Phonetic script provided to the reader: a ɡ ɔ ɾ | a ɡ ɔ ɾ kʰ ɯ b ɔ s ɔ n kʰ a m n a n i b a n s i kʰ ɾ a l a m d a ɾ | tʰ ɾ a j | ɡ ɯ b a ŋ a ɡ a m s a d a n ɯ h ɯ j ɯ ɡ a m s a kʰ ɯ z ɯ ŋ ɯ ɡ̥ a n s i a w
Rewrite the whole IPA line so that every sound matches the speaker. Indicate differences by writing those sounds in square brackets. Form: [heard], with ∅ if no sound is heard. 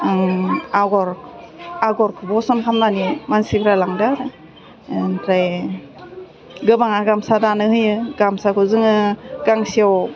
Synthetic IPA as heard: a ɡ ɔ ɾ | a ɡ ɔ ɾ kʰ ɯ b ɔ s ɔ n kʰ a m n a n i [m] a n s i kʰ ɾ a l a [ŋ] d a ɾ | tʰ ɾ a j | ɡ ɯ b a ŋ a ɡ a m s a d a n ɯ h ɯ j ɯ ɡ a m s a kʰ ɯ z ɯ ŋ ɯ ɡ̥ a [ŋ] s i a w